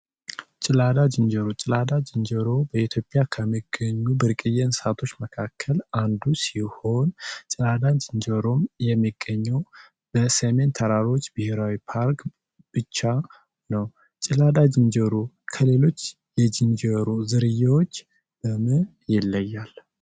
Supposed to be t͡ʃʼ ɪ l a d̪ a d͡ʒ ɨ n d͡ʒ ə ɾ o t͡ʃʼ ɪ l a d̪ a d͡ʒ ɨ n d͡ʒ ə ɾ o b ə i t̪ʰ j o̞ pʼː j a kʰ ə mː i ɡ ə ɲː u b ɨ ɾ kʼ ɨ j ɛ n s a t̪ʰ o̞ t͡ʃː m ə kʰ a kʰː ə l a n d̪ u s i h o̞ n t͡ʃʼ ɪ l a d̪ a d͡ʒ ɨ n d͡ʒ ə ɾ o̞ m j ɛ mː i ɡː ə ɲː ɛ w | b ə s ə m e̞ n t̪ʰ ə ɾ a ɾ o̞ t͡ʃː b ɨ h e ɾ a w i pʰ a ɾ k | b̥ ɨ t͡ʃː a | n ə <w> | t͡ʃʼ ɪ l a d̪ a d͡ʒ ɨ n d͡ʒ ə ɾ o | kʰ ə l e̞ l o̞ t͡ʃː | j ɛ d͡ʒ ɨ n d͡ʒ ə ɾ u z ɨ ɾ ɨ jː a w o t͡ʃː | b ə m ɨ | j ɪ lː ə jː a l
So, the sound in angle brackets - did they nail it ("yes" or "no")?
yes